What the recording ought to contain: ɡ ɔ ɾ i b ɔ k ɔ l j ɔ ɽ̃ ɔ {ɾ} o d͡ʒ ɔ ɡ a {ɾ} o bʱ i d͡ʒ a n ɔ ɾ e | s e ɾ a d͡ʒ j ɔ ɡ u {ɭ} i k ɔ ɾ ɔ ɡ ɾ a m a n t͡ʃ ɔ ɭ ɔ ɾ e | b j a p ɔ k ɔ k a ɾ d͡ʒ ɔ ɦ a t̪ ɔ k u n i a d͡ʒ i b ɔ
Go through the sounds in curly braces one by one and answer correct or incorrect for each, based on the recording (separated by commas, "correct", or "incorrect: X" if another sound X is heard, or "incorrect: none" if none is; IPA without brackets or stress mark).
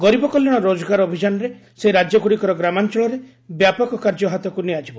correct, correct, incorrect: ɽ